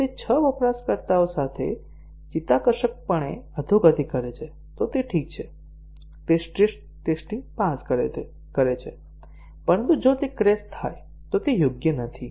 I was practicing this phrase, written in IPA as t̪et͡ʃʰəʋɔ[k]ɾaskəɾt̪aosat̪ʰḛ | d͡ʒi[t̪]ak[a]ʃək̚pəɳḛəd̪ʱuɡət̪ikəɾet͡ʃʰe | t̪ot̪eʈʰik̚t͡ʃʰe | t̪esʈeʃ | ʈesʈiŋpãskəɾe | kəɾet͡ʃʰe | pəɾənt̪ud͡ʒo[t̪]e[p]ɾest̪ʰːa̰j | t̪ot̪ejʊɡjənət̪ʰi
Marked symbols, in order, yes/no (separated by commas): no, yes, no, yes, no